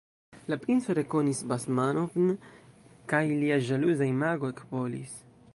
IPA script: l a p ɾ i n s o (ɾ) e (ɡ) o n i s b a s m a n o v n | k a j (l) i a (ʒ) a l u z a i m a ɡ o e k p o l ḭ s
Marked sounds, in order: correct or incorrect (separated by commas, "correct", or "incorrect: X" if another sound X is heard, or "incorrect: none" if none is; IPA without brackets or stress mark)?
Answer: correct, incorrect: k, correct, correct